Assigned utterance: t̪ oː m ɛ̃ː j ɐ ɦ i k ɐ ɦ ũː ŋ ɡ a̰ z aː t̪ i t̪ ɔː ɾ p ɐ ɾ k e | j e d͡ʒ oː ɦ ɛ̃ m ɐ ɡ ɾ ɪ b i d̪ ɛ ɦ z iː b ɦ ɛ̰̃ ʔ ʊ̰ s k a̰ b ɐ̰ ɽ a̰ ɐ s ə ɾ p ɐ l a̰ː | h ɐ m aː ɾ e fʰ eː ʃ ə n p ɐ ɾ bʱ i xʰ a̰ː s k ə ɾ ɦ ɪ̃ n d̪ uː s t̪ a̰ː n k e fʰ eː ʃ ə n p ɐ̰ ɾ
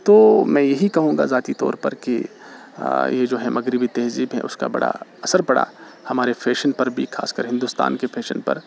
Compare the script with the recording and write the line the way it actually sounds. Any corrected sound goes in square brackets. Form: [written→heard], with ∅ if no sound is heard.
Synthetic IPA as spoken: t̪ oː m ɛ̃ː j ɐ ɦ i k ɐ ɦ ũː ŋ ɡ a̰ z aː t̪ i t̪ ɔː ɾ p ɐ ɾ k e | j e d͡ʒ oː ɦ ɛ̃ m ɐ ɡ ɾ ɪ b i [d̪→t̪] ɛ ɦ z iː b ɦ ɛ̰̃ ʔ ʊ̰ s k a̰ b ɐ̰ ɽ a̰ ɐ s ə ɾ p ɐ [l→ɽ] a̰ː | h ɐ m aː ɾ e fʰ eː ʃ ə n p ɐ ɾ bʱ i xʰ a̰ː s k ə ɾ ɦ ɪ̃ n d̪ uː s t̪ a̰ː n k e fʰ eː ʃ ə n p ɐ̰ ɾ